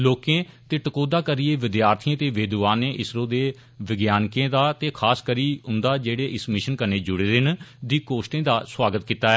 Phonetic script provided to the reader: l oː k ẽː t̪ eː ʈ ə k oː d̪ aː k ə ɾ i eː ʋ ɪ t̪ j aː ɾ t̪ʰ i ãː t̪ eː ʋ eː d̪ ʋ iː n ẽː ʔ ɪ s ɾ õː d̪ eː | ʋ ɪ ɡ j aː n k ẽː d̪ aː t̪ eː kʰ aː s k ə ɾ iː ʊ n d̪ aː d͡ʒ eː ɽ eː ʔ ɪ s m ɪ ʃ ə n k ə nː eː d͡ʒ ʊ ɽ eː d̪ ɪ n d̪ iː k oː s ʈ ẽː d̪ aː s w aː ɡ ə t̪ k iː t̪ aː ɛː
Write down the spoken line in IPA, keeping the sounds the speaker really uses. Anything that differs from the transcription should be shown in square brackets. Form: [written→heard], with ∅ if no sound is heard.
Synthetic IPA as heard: l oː k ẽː t̪ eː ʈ ə k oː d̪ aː k ə ɾ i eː ʋ ɪ [t̪→d̪] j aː ɾ t̪ʰ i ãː t̪ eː ʋ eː d̪ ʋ [iː→aː] n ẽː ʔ ɪ s ɾ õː d̪ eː | ʋ ɪ ɡ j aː n k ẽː d̪ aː t̪ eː kʰ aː s k ə ɾ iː ʊ n d̪ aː d͡ʒ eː ɽ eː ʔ ɪ s m ɪ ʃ ə n k ə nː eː d͡ʒ ʊ ɽ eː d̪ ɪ n d̪ iː k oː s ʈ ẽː d̪ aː s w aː ɡ ə t̪ k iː t̪ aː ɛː